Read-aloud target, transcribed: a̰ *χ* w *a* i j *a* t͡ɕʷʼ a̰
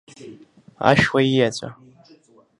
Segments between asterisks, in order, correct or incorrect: incorrect: ʃ, correct, correct

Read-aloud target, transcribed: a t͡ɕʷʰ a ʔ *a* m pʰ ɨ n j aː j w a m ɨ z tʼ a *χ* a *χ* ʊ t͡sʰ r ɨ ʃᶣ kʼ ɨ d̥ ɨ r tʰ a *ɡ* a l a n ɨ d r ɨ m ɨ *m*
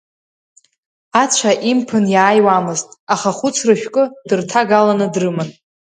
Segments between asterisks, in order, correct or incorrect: incorrect: i, correct, correct, correct, incorrect: n

